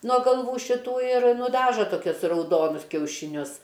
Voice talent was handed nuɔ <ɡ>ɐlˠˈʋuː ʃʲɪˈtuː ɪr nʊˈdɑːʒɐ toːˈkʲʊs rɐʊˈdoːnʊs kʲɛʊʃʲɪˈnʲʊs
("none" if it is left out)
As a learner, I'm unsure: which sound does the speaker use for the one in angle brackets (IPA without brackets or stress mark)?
ɡ